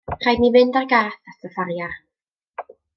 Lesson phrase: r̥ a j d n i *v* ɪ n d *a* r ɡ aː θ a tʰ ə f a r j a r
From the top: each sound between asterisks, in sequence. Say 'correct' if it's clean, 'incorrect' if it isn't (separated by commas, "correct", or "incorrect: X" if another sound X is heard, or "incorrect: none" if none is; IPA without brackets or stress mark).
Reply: correct, correct